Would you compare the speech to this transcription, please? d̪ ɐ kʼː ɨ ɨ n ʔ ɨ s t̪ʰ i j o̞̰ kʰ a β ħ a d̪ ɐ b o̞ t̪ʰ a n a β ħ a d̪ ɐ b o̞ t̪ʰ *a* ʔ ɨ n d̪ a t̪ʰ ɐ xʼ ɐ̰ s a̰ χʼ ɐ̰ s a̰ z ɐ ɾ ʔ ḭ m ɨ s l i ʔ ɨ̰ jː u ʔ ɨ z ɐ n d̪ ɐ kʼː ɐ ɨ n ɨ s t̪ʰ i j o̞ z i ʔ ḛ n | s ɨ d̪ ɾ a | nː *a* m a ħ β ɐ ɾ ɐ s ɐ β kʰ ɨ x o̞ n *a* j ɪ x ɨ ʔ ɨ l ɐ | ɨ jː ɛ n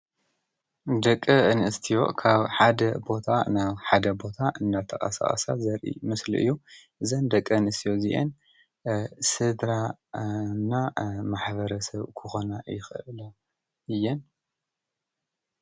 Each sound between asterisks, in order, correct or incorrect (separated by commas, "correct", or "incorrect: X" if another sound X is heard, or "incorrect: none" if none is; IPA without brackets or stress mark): correct, correct, correct